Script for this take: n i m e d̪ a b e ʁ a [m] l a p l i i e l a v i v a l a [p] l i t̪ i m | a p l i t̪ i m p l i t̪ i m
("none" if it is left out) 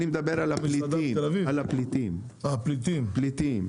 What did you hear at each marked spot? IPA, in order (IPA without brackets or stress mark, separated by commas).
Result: none, p